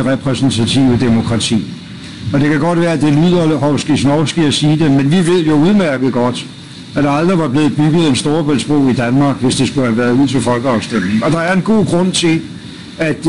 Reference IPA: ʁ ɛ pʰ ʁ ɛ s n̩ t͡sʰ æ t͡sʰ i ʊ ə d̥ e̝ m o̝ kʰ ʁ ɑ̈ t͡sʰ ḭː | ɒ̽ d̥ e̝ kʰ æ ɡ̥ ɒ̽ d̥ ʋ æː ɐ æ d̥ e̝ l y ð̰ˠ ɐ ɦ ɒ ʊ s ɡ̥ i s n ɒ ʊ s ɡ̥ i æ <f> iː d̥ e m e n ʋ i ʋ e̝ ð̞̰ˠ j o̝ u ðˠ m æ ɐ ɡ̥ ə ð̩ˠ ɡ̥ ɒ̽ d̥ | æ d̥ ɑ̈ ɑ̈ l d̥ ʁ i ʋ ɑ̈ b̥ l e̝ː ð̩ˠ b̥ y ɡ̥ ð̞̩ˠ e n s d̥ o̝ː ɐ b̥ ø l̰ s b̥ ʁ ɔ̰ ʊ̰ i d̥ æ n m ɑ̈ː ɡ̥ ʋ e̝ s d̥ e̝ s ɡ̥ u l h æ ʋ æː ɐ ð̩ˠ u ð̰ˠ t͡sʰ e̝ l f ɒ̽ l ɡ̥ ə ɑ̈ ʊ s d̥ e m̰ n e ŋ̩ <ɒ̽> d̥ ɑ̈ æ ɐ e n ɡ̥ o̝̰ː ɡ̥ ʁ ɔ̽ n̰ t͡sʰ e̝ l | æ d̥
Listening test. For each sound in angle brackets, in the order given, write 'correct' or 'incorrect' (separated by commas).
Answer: incorrect, correct